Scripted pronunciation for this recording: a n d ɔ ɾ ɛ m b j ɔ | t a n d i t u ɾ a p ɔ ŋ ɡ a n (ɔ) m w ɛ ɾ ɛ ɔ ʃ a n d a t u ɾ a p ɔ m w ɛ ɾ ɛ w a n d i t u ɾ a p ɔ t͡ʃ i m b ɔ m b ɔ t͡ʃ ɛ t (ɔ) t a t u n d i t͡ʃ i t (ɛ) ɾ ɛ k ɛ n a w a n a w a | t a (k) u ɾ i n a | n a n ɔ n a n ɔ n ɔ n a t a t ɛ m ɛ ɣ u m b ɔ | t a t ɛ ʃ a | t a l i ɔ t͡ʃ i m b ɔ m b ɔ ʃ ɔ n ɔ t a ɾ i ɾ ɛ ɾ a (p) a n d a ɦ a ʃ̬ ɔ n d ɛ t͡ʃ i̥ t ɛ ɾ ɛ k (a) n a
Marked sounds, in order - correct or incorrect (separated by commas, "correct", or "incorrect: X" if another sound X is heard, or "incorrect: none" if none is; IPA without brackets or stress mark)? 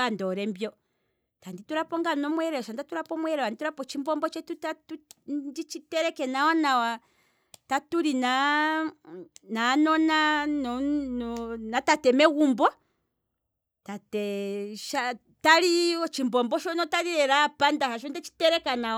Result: correct, incorrect: u, correct, incorrect: t, correct, correct